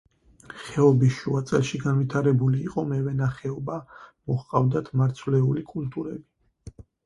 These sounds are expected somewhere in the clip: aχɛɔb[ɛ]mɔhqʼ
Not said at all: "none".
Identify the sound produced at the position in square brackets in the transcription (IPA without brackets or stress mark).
a